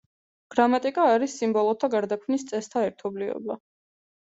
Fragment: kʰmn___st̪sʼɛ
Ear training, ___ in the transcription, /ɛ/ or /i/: i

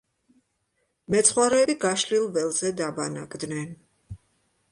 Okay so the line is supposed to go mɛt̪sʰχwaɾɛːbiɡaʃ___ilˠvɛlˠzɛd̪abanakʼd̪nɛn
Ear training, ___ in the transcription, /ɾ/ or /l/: l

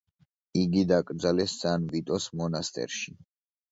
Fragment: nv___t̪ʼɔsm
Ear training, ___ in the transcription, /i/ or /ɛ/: i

